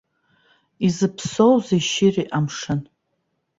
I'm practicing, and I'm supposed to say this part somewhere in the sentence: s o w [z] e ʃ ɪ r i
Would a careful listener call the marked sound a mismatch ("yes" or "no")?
no